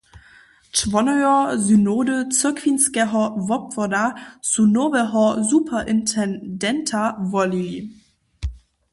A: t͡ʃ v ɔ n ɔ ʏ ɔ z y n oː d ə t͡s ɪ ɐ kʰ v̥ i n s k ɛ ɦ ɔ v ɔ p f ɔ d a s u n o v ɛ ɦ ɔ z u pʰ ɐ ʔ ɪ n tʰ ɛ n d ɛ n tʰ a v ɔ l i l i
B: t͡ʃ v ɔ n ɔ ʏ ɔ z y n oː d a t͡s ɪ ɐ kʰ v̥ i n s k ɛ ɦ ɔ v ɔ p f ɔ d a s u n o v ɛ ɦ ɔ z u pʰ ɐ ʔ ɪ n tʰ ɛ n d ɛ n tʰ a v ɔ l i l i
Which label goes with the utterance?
A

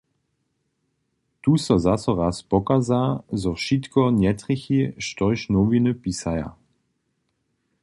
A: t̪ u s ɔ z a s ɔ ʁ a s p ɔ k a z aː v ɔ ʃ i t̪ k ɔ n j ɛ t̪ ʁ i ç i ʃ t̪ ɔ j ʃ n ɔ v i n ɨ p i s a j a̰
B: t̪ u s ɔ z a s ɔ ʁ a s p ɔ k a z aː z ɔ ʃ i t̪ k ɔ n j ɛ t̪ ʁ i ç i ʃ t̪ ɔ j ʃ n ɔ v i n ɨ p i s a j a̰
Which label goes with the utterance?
B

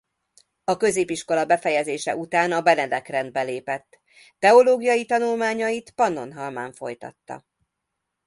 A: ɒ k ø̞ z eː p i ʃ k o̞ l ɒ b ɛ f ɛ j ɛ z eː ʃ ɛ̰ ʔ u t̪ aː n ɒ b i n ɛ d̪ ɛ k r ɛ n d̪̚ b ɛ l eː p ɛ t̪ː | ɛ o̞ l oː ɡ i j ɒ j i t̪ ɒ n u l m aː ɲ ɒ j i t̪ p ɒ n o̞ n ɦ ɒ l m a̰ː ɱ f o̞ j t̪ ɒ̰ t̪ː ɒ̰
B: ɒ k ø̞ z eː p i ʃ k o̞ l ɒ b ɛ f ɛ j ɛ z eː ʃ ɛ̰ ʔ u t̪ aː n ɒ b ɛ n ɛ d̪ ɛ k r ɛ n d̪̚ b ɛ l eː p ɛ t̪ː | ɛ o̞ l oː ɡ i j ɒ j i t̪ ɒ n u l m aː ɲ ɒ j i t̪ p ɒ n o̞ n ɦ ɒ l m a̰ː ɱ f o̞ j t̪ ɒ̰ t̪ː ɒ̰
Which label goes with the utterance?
B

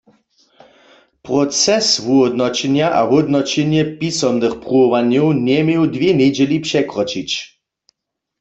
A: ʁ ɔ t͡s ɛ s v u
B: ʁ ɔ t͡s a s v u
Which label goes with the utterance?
A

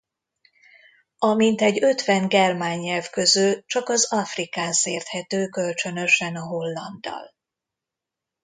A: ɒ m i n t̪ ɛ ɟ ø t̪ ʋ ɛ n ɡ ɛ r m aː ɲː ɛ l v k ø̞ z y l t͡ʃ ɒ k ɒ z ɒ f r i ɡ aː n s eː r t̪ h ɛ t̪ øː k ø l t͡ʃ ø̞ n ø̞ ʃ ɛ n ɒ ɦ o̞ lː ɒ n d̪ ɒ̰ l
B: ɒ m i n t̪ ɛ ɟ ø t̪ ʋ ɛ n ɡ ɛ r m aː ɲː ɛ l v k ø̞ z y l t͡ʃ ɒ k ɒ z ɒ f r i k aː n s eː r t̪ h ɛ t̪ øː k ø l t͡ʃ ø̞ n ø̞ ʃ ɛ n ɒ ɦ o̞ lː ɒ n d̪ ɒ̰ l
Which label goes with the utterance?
B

